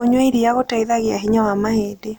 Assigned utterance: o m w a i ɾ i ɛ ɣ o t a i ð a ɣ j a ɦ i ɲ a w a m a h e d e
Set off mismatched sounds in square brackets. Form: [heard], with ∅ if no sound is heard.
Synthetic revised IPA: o [ɲ] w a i ɾ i [a] ɣ o t a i ð a ɣ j a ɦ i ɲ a w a m a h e d e